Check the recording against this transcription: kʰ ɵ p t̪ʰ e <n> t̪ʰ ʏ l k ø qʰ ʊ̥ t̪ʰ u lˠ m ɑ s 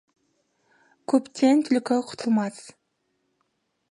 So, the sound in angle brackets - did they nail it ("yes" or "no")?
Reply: yes